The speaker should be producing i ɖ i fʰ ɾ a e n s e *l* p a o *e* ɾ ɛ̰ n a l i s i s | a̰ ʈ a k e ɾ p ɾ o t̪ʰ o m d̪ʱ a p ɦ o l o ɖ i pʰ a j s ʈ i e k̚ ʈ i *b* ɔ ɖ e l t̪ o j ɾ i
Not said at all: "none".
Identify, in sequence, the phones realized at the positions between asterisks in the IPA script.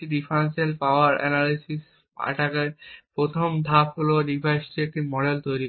l, a, m

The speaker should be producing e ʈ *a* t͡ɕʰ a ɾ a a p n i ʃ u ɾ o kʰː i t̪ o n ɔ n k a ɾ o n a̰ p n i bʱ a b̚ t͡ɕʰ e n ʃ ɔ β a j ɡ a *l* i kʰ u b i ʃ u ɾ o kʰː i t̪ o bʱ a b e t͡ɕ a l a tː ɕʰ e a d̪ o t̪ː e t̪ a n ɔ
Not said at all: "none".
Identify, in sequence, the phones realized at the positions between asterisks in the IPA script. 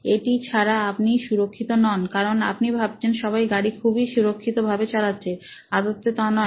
i, ɽ

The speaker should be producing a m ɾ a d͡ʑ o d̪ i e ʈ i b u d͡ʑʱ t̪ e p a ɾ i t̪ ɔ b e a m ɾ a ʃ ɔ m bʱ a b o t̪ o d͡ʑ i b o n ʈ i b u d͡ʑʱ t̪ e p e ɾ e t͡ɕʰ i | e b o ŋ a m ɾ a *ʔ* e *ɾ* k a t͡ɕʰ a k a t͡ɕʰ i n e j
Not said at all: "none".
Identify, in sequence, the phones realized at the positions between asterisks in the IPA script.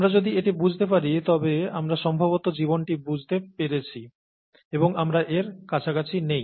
ʔ, ɾ

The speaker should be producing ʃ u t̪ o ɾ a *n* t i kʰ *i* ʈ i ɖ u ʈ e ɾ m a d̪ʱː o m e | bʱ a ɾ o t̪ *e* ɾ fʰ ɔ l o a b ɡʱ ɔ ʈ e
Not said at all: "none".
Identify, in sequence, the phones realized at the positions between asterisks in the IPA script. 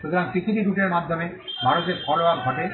ŋ, i, e

